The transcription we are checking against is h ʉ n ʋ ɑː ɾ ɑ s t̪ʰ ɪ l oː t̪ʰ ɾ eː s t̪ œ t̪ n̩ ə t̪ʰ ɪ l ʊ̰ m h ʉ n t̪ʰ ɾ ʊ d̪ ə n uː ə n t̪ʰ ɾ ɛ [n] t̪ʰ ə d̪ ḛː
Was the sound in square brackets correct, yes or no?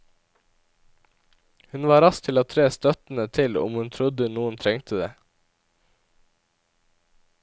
no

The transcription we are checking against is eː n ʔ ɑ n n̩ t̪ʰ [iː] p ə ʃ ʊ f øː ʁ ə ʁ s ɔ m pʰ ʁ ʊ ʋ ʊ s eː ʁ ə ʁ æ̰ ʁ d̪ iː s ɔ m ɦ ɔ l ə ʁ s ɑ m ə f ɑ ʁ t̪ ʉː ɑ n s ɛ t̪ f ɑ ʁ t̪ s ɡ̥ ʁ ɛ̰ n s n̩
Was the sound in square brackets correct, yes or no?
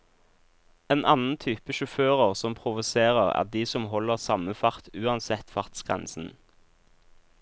no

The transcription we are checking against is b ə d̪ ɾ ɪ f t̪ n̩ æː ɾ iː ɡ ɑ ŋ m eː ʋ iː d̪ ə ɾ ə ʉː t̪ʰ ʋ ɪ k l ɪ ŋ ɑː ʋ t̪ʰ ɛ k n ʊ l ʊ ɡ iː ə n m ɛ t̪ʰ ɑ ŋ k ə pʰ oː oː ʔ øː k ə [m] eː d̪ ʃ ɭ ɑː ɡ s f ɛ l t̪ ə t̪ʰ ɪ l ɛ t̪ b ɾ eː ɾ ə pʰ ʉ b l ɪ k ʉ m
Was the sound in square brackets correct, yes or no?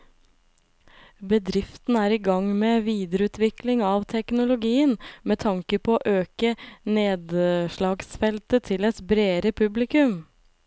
no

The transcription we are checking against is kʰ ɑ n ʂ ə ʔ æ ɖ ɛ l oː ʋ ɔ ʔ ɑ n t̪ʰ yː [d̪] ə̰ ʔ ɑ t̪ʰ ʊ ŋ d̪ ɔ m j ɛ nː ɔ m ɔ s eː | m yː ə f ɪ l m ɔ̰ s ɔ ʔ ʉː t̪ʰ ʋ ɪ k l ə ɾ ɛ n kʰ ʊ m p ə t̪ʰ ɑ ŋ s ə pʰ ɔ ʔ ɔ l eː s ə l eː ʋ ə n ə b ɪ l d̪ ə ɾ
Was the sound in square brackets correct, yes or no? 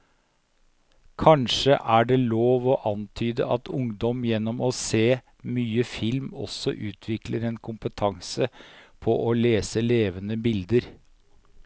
yes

